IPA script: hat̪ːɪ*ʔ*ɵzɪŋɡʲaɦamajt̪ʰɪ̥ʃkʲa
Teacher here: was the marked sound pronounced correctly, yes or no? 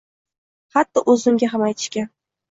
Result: yes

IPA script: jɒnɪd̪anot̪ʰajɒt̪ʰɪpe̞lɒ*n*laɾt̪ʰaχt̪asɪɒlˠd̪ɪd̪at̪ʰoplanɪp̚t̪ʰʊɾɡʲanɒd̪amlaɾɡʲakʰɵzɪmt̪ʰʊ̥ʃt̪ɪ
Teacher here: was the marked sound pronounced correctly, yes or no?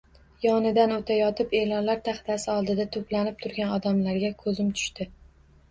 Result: yes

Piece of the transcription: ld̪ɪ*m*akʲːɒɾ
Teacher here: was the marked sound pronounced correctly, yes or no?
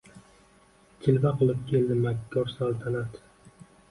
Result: yes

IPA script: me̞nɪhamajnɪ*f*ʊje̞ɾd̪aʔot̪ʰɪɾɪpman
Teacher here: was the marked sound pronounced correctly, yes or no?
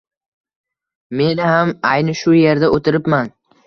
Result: no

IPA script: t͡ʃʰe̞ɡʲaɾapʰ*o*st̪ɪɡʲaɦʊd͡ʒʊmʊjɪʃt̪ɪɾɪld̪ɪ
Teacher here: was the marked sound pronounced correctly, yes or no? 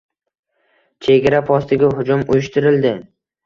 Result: no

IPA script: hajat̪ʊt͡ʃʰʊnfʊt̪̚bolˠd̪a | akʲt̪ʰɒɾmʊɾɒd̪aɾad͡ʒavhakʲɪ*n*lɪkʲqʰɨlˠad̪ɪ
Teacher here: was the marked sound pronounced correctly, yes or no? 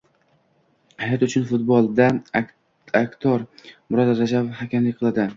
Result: no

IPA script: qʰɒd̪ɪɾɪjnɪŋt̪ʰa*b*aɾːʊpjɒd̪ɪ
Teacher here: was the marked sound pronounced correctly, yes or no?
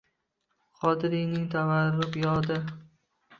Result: no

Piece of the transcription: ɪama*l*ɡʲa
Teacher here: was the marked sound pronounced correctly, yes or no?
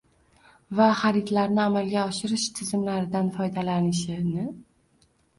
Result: yes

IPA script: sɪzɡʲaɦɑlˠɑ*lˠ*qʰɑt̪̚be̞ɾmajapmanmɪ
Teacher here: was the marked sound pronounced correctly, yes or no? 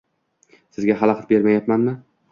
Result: no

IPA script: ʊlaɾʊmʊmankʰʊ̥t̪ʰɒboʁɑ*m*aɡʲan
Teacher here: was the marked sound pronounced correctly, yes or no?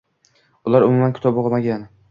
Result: yes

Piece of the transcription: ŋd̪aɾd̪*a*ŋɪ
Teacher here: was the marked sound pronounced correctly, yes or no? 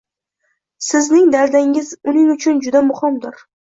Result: yes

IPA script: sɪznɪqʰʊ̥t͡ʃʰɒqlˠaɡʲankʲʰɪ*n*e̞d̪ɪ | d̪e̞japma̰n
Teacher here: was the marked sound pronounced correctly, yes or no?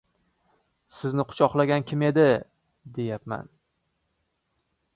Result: no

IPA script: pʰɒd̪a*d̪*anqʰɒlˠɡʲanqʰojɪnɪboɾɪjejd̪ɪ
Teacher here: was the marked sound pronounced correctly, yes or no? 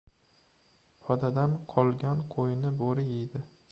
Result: yes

